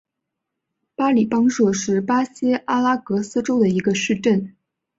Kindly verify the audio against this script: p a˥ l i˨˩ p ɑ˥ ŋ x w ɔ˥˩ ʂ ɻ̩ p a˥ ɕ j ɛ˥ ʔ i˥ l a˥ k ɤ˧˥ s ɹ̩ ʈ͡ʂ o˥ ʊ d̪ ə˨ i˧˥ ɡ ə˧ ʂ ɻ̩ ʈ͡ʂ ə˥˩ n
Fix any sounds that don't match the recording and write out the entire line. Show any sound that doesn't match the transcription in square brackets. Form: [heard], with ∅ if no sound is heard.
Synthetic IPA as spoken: p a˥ l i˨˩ p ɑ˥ ŋ [ʂ] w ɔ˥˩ ʂ ɻ̩ p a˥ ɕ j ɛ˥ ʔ [a˥] l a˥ k ɤ˧˥ s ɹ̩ ʈ͡ʂ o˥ ʊ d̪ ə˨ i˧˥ ɡ ə˧ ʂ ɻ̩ ʈ͡ʂ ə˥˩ n